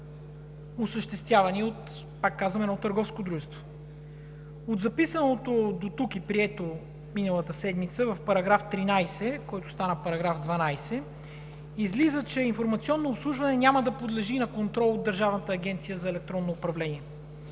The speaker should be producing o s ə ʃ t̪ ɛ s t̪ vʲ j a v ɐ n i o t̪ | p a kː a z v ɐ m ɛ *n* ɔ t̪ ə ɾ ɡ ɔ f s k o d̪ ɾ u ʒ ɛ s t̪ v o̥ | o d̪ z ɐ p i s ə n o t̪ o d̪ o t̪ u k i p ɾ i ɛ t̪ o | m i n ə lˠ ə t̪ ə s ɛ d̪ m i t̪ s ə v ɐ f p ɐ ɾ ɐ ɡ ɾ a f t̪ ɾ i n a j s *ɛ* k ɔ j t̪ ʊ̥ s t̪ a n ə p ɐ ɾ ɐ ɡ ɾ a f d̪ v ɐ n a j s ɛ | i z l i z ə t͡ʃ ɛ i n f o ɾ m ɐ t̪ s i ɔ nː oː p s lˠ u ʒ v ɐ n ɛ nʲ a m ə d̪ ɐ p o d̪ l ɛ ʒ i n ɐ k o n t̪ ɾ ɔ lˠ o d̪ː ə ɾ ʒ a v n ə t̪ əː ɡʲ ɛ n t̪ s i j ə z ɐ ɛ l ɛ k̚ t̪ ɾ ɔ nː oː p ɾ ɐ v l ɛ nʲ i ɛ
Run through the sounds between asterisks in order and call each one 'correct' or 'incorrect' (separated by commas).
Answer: correct, correct